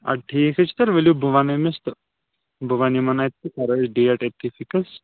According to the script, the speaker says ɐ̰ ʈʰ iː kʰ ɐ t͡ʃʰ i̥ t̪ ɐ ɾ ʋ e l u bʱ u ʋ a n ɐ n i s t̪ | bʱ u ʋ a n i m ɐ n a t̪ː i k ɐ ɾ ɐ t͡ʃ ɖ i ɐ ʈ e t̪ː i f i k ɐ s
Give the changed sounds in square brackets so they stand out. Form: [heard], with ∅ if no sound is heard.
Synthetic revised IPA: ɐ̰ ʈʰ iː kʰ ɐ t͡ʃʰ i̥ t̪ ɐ ɾ ʋ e l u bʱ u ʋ a n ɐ [m] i s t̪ | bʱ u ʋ a n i m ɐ n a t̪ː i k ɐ ɾ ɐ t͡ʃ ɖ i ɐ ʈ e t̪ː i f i k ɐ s